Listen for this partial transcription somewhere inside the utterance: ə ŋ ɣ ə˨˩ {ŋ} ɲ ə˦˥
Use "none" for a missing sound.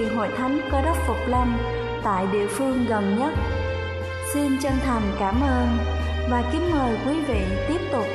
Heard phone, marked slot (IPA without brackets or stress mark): n